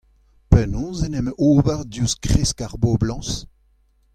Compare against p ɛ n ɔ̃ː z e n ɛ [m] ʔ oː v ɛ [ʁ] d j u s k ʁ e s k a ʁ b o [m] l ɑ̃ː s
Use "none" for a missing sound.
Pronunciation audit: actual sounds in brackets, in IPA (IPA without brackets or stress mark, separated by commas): m, ʁ, b